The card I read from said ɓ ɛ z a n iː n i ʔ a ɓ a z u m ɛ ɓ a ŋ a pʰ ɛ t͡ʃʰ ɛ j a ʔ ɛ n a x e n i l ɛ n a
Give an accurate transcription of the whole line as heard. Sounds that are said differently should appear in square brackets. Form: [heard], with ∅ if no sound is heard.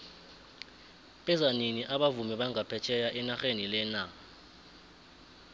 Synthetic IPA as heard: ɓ ɛ z a n [i] n i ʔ a ɓ a [v] u m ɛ ɓ a ŋ a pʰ ɛ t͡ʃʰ ɛ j a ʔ ɛ n a x e n i l ɛ n a